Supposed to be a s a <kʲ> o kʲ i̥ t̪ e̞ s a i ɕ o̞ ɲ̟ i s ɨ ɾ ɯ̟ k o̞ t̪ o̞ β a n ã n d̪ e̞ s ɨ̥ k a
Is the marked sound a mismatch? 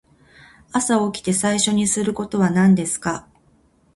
yes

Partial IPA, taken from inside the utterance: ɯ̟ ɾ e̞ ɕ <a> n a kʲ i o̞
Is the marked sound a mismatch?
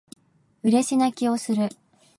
yes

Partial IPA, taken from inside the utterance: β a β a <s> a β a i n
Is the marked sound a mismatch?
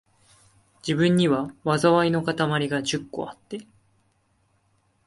yes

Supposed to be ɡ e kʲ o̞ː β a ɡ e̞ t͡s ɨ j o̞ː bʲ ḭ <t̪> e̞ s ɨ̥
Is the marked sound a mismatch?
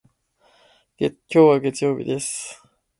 yes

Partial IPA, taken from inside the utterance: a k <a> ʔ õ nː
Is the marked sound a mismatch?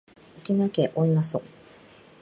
yes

